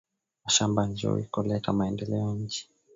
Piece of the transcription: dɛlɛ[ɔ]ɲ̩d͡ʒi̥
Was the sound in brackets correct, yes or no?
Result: yes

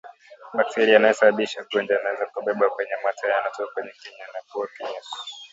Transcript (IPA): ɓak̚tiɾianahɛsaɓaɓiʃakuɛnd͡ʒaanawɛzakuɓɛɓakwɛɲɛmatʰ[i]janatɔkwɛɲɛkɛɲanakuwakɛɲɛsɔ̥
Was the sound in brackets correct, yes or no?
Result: no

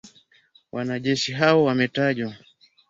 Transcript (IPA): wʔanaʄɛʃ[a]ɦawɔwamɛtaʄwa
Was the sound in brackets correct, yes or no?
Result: no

